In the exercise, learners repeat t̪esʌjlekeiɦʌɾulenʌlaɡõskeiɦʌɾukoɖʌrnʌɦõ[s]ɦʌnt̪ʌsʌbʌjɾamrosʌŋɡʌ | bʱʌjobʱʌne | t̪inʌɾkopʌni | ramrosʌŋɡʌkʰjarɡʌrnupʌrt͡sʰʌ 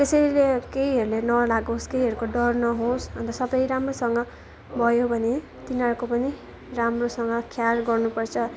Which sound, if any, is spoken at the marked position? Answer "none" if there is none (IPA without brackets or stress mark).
s